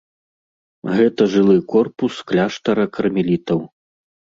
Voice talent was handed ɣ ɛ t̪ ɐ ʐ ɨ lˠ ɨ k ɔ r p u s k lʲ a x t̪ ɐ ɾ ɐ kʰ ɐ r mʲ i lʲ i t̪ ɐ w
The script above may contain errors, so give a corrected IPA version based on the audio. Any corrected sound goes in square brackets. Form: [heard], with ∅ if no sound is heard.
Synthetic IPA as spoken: ɣ ɛ t̪ ɐ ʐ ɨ lˠ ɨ k ɔ r p u s k lʲ a [ʂ] t̪ ɐ ɾ ɐ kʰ ɐ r mʲ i lʲ i t̪ ɐ w